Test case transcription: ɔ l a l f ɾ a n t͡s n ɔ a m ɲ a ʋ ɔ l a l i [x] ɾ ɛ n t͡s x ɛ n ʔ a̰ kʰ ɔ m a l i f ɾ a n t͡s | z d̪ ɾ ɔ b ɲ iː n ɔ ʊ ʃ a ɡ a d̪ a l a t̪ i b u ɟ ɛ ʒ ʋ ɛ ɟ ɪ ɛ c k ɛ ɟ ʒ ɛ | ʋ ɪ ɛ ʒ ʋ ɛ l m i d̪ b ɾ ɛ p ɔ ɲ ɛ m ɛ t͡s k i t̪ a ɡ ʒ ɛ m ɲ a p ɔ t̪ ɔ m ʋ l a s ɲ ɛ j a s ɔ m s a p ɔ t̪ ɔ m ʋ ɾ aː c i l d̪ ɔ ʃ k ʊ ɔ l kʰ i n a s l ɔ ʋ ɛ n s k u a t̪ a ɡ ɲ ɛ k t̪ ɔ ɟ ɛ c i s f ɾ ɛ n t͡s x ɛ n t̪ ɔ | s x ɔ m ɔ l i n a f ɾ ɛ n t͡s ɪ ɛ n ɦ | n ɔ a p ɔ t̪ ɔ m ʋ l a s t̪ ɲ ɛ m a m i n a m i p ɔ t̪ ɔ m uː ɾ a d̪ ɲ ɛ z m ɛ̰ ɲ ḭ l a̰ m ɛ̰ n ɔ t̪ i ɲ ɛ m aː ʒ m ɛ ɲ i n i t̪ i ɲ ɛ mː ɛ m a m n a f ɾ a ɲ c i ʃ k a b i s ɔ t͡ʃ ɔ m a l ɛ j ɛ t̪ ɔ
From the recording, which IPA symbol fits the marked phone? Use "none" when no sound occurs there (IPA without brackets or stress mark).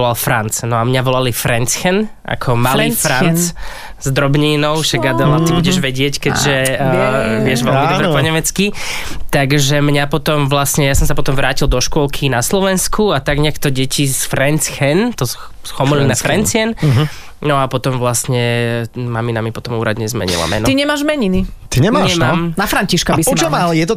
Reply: f